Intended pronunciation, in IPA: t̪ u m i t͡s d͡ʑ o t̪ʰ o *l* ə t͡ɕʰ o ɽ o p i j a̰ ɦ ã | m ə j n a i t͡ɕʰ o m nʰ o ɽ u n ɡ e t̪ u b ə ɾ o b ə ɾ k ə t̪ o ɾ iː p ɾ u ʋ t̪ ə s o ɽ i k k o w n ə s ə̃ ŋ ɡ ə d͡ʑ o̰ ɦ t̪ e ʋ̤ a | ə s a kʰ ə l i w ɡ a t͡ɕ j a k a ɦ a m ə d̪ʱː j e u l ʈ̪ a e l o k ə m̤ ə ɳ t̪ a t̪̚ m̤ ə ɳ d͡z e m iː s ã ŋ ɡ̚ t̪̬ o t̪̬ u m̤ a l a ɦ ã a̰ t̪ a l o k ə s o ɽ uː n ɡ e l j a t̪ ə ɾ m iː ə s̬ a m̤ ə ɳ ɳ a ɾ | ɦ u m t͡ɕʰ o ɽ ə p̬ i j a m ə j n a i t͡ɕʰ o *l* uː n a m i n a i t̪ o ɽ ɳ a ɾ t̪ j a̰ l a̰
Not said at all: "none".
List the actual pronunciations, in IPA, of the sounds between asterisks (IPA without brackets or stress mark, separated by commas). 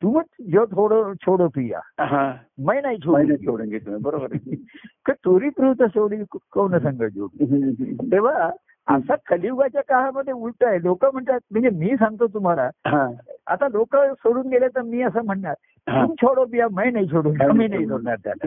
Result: ɽ, ɽ